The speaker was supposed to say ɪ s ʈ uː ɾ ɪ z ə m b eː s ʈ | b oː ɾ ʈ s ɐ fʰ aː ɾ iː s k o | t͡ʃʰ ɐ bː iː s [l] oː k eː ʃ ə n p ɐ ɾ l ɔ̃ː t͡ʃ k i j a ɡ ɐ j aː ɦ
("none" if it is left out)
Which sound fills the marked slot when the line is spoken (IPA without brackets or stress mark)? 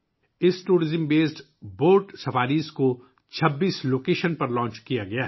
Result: l